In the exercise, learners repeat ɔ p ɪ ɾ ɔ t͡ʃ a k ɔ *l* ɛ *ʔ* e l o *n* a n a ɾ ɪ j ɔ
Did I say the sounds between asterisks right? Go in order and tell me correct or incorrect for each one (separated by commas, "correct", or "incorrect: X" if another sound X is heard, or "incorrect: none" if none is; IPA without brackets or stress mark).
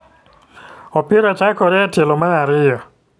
incorrect: ɾ, incorrect: t, incorrect: m